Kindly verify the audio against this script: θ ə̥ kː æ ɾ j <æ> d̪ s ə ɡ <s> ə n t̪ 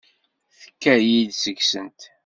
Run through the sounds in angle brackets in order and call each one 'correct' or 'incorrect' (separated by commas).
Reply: incorrect, correct